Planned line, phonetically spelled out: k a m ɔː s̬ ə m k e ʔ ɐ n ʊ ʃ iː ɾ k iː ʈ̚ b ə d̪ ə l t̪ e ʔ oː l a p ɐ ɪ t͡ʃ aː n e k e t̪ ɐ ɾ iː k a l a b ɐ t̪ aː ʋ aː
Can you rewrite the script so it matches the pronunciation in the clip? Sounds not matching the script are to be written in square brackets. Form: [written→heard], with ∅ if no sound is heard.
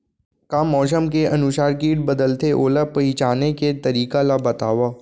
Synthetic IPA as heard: k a m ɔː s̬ ə m k e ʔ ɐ n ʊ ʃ [iː→aː] ɾ k iː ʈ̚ b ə d̪ ə l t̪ e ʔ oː l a p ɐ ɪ t͡ʃ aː n e k e t̪ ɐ ɾ iː k a l a b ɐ t̪ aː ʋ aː